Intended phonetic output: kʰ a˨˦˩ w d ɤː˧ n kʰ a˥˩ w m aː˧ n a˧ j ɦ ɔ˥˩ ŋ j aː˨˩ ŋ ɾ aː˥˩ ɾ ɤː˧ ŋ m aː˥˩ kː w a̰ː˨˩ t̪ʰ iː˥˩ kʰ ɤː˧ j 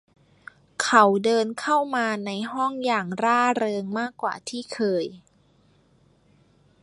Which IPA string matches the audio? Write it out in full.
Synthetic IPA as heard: kʰ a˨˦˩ w d ɤː˧ n kʰ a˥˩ w m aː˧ n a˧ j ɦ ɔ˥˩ ŋ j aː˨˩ ŋ ɾ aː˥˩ ɾ ɤː˧ ŋ m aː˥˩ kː w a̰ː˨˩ t̪ʰ iː˥˩ kʰ ɤː˧ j